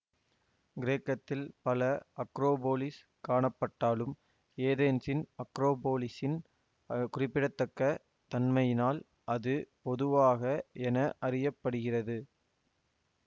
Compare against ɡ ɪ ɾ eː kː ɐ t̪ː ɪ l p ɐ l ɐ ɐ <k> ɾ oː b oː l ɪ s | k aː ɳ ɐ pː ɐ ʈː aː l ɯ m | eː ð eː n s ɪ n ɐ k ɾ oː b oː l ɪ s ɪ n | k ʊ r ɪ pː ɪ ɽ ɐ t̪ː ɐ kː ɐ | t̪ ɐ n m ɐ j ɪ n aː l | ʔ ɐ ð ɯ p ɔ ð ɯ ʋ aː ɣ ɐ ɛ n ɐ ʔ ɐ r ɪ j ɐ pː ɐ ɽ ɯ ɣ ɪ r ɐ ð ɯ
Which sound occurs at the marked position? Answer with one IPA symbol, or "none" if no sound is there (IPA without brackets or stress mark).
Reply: k